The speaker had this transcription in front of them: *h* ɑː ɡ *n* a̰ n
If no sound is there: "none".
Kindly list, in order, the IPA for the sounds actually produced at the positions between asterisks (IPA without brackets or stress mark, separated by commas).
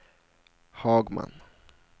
h, m